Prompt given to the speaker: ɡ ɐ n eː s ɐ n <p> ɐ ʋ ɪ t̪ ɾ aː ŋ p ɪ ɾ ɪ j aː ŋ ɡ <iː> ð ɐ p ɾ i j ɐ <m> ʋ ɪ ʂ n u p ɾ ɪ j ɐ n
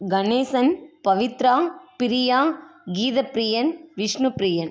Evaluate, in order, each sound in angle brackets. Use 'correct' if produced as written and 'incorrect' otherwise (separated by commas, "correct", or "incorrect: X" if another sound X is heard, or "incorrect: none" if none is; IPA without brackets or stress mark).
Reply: correct, correct, incorrect: n